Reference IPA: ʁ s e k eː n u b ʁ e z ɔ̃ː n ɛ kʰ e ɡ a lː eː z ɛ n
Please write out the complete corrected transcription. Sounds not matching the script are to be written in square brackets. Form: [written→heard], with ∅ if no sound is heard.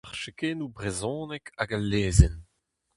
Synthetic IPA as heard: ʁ [s→ʃ] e k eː n u b ʁ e z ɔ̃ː n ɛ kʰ [e→a] ɡ a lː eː z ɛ n